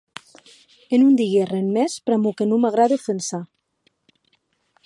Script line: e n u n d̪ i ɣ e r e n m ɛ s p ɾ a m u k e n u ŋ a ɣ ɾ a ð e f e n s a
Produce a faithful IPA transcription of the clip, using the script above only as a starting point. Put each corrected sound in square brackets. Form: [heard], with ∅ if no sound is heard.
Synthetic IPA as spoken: e n u n d̪ i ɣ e r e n m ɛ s p ɾ a m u k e n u [m] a ɣ ɾ a ð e f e n s a